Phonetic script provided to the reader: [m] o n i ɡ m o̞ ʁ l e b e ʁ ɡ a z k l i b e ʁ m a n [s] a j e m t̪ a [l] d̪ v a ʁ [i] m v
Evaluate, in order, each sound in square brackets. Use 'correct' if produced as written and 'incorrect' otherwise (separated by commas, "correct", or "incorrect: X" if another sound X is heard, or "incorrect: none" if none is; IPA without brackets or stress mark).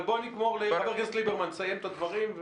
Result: incorrect: b, correct, incorrect: none, correct